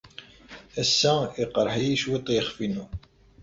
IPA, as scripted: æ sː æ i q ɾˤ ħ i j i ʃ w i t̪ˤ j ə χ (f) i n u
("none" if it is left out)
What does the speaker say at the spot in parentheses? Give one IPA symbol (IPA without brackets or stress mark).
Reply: f